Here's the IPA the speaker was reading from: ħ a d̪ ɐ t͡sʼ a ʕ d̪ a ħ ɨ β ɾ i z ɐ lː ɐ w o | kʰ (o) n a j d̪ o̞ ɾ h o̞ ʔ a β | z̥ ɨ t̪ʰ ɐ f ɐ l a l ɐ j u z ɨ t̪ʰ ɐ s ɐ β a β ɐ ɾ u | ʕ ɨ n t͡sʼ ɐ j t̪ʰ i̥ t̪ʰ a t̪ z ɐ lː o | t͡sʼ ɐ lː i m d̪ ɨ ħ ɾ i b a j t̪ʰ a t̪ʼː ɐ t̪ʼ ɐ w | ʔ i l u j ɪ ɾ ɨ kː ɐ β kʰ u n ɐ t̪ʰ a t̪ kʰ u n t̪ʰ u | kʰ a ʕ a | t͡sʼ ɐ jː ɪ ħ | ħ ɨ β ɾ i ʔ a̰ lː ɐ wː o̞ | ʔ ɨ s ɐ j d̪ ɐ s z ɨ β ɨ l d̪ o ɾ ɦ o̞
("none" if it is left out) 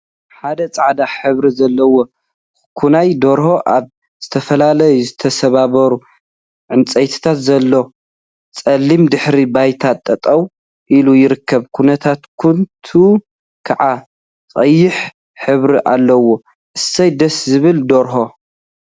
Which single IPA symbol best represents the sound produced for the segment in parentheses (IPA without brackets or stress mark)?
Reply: u